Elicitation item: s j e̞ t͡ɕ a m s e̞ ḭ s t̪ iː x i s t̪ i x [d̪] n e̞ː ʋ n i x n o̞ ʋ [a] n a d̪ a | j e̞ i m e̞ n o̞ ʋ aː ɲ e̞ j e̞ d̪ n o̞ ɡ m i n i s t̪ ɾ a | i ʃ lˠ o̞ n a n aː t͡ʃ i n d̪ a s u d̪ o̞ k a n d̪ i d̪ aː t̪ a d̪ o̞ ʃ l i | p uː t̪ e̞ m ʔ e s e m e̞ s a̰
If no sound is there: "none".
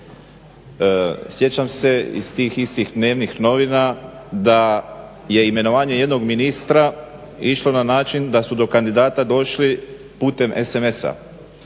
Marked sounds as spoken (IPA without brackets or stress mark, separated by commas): d̪, i